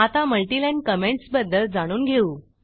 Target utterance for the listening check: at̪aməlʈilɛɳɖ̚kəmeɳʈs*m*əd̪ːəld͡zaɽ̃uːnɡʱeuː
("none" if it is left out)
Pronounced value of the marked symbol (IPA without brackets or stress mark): b